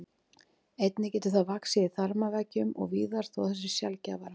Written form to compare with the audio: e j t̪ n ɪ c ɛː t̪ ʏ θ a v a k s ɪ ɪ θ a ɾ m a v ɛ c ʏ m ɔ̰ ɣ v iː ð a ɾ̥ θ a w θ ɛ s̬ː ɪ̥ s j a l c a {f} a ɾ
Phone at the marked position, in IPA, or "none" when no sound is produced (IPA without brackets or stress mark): v